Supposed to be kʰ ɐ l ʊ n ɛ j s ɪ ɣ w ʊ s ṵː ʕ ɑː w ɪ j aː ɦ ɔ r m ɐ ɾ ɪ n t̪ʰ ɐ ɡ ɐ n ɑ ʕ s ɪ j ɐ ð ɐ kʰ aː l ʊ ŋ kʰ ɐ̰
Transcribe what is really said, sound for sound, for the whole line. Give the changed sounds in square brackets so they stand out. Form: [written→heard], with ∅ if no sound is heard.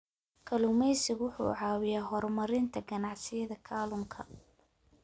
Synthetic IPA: kʰ ɐ l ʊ [n→m] ɛ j s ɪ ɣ w ʊ [s→ħ] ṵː ʕ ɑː w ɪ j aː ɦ ɔ r m ɐ ɾ ɪ n t̪ʰ ɐ ɡ ɐ n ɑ ʕ s ɪ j ɐ ð ɐ kʰ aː l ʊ ŋ kʰ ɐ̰